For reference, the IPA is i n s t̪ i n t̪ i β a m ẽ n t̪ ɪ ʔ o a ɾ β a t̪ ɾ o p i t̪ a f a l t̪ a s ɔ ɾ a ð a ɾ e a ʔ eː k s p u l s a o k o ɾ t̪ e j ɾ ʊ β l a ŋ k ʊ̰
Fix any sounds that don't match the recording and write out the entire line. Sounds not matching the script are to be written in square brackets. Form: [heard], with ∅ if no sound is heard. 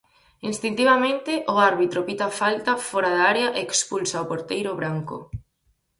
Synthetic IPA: i n s t̪ i n t̪ i β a m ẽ n t̪ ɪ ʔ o a ɾ β [i] t̪ ɾ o p i t̪ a f a l t̪ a [f] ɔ ɾ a ð a ɾ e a ʔ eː k s p u l s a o [p] o ɾ t̪ e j ɾ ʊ β [ɾ] a ŋ k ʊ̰